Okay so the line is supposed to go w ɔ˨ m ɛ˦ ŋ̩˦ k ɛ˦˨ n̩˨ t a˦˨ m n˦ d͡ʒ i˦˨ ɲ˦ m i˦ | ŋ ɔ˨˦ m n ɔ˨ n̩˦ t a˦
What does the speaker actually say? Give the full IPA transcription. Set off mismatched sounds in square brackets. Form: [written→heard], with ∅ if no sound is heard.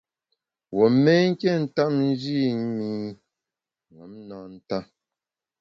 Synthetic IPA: w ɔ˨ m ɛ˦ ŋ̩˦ k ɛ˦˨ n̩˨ t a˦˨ m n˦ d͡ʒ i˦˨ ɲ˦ m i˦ | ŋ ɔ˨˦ m n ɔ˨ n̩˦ t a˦